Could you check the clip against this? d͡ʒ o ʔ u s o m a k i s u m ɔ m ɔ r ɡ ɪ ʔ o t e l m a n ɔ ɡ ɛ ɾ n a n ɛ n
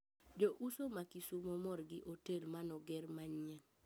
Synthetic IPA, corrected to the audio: d͡ʒ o ʔ u s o m a k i s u m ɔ m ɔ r ɡ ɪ ʔ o t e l m a n ɔ ɡ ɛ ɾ m a ɲ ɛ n

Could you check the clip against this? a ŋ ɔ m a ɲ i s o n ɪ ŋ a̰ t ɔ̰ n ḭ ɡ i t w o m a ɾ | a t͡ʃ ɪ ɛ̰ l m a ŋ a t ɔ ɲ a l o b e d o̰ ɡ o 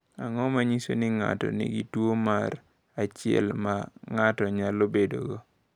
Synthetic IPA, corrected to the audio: a ŋ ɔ m a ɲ i s o n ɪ ŋ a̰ t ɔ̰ n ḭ ɡ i t w o m a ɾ | a t͡ʃ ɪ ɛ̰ l m a ŋ a t ɔ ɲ a l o b e d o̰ ɡ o

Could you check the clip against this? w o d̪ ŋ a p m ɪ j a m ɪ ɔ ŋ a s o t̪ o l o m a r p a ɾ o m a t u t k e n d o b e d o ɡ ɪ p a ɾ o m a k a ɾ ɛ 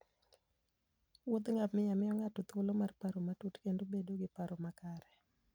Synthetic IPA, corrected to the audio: w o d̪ ŋ a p m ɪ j a m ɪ ɔ ŋ a t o t̪ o l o m a r p a ɾ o m a t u t k e n d o b e d o ɡ ɪ p a ɾ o m a k a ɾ ɛ

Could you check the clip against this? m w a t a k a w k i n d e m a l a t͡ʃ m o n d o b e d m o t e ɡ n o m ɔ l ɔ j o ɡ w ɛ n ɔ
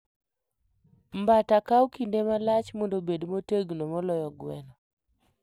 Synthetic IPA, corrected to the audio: m b a t a k a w k i n d e m a l a t͡ʃ m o n d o b e d m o t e ɡ n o m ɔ l ɔ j ɔ ɡ w ɛ n ɔ

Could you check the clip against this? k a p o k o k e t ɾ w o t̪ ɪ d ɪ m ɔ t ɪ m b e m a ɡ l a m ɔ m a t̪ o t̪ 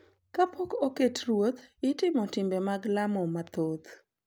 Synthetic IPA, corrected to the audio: k a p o k o k e t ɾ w o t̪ ɪ t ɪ m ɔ t ɪ m b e m a ɡ l a m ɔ m a t̪ o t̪

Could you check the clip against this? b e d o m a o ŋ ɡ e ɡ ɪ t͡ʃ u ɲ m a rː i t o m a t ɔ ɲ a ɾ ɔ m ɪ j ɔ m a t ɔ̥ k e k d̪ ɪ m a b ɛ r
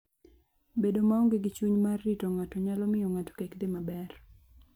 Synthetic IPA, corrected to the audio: b e d o m a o ŋ ɡ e ɡ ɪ t͡ʃ u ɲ m a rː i t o ŋ a t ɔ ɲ a l ɔ m ɪ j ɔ ŋ a t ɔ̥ k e k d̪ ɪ m a b ɛ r

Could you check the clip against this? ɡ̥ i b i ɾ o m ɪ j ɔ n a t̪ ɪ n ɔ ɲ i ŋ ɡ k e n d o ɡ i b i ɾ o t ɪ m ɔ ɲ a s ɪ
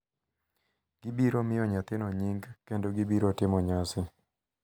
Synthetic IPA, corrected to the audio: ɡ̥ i b i ɾ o m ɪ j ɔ ɲ a t̪ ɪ n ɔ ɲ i ŋ ɡ k e n d o ɡ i b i ɾ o t ɪ m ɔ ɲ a s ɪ

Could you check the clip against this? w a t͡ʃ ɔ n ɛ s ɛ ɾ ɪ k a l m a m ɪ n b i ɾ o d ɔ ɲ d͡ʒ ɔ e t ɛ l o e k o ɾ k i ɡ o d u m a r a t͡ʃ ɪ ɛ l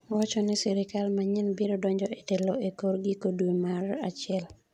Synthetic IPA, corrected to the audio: w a t͡ʃ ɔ n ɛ s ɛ ɾ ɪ k a l m a ɲ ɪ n b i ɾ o d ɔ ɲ d͡ʒ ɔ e t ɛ l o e k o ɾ ɡ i k o d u m a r a t͡ʃ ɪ ɛ l

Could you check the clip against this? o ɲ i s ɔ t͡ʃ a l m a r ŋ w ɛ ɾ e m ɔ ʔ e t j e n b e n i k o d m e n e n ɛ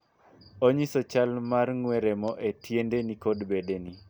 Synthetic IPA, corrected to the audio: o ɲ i s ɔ t͡ʃ a l m a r ŋ w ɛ ɾ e m ɔ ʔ e t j e n d e n i k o d b e d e n i

